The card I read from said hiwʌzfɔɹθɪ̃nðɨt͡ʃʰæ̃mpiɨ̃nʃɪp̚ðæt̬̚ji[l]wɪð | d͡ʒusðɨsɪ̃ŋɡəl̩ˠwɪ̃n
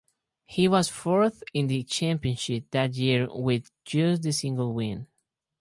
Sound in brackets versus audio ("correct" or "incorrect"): incorrect